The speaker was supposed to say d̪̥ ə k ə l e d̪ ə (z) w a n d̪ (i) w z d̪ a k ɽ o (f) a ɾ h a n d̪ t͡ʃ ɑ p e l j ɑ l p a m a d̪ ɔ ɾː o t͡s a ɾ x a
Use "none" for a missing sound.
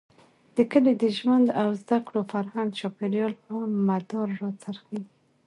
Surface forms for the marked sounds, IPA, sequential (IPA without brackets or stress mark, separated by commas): ʒ, a, f